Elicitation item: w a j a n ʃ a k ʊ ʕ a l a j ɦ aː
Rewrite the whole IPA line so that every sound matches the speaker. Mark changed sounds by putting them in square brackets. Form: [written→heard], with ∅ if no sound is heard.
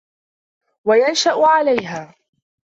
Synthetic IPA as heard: w a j a n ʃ a [k→ʔ] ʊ ʕ a l a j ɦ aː